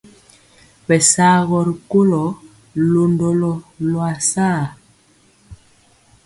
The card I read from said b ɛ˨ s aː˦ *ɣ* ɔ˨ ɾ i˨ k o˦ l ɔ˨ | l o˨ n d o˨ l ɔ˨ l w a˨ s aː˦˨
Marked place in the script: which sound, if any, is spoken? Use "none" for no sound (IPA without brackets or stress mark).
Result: ɣ